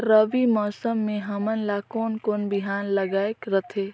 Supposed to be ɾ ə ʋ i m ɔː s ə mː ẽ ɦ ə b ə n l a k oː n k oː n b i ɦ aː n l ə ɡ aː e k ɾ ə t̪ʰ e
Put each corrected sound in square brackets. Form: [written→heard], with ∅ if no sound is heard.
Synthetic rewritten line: ɾ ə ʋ i m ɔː s ə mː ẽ ɦ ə [b→m] ə n l a k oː n k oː n b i ɦ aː n l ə ɡ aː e k ɾ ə t̪ʰ e